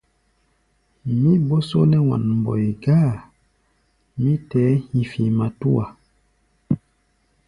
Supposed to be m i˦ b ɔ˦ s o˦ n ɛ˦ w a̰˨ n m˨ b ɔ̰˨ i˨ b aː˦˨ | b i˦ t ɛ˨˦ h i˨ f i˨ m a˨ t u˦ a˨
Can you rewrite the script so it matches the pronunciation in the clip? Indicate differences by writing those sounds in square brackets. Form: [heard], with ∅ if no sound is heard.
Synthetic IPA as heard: m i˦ b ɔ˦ s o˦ n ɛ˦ w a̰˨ n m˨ b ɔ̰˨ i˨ [ɡ] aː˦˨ | [m] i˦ t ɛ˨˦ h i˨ f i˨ m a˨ t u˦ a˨